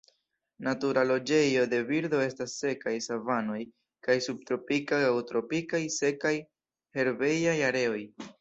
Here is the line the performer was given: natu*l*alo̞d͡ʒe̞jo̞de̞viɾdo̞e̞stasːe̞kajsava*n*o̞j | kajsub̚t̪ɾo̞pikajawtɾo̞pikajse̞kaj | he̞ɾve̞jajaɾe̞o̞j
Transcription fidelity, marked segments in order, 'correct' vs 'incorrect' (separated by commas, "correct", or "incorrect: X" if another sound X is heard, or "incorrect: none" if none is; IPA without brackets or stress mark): incorrect: ɾ, correct